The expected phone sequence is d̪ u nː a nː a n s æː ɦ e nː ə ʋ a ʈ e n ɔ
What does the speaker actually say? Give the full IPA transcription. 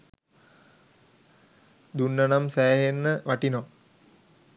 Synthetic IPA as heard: d̪ u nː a n a m s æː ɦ e nː ə ʋ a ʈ i n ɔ